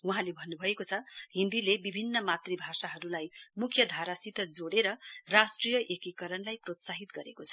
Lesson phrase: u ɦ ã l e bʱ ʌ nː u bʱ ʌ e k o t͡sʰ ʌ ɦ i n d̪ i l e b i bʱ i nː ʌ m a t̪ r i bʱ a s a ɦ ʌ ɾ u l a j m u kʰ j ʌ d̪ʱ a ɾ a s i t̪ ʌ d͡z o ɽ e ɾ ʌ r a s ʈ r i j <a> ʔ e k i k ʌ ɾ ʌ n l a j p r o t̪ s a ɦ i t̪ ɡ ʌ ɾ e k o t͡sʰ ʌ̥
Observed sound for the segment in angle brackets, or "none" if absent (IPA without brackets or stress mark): ʌ